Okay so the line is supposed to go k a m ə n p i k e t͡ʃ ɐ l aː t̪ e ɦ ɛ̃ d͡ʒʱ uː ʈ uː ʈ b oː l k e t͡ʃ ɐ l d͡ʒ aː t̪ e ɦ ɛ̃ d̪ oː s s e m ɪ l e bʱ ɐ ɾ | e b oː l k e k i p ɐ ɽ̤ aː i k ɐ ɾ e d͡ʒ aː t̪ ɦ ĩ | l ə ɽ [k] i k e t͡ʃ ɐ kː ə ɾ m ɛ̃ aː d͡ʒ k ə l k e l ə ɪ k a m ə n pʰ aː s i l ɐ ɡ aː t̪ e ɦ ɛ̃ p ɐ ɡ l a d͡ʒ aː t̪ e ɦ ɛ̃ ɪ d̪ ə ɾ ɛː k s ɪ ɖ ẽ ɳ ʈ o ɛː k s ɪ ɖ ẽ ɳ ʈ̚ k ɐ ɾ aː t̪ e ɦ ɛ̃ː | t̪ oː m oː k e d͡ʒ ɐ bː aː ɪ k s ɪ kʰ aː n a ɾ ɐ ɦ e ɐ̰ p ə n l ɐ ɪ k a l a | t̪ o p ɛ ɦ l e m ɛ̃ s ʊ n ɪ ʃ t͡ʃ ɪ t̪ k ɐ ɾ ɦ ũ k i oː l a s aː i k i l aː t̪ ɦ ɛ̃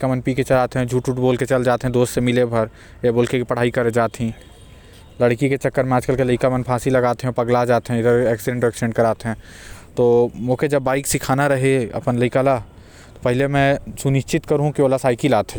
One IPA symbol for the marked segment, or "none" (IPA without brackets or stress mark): k